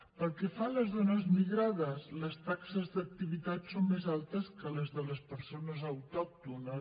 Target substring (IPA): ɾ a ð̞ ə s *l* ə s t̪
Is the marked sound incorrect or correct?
correct